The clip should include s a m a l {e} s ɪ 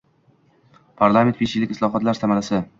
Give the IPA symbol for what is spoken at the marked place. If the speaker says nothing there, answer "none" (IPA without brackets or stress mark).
a